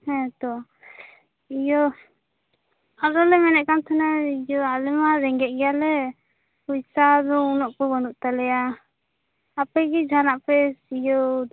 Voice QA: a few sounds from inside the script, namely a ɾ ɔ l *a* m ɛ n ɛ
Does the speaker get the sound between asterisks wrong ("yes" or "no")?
yes